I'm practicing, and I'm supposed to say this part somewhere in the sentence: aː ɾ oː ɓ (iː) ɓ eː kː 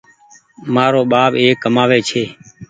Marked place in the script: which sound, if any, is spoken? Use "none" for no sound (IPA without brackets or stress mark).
aː